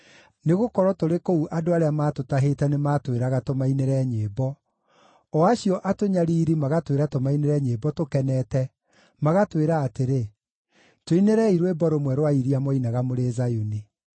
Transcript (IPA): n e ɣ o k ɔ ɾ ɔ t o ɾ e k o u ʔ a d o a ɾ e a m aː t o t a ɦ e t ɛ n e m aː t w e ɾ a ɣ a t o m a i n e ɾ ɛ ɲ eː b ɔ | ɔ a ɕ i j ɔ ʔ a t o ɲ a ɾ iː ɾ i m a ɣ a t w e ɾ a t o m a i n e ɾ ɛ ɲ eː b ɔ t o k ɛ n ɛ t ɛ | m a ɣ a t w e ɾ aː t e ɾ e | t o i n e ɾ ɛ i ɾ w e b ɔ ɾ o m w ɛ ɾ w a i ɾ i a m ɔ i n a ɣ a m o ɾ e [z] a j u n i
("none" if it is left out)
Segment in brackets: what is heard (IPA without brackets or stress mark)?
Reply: z